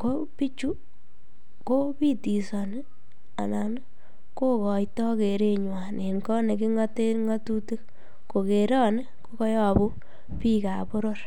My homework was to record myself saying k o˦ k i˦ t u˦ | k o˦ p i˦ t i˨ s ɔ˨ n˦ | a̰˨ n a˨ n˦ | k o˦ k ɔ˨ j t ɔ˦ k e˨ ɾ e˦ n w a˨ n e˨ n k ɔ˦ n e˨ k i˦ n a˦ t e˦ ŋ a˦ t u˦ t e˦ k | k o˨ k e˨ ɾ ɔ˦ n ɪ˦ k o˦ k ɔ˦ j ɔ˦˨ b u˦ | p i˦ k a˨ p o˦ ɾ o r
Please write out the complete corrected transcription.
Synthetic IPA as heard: k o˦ p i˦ t͡ʃ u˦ | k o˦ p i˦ t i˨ s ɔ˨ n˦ | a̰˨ n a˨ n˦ | k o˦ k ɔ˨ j t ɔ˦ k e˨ ɾ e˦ ɲ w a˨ n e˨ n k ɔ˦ n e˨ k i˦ ŋ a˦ t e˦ ŋ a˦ t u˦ t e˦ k | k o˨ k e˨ ɾ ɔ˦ n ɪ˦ k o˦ k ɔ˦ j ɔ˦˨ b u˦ | p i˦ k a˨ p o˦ ɾ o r